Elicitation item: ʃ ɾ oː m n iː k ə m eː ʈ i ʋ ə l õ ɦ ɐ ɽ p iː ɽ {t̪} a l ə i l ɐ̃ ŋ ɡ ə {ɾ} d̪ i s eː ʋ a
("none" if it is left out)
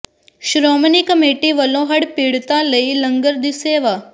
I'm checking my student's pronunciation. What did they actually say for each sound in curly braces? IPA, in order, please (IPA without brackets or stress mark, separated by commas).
t̪, ɾ